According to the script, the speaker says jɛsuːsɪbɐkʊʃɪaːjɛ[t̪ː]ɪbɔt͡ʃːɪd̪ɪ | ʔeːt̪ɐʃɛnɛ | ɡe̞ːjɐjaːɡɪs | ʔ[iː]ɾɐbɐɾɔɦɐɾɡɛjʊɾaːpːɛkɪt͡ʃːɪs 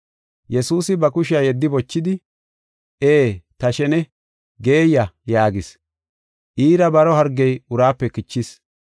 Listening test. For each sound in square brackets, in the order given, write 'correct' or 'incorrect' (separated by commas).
incorrect, correct